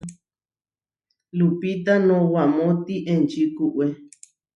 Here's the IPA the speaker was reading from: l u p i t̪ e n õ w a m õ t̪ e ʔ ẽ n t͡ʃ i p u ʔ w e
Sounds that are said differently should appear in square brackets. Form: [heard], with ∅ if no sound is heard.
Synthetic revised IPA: l u p i t̪ [a] n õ w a m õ t̪ [i] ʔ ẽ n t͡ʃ i [k] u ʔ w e